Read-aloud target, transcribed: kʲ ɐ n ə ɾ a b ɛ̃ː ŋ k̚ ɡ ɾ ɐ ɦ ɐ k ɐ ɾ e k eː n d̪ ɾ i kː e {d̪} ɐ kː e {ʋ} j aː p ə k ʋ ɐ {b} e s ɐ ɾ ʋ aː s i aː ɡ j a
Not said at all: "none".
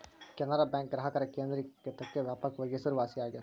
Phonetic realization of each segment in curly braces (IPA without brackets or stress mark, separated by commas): t̪, ʋ, ɡ